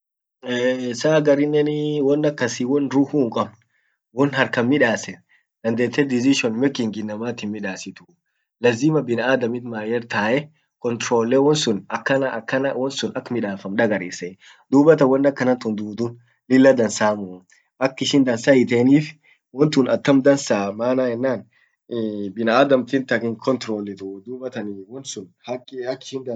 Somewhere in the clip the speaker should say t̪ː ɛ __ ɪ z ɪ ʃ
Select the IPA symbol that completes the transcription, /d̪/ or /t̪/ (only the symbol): d̪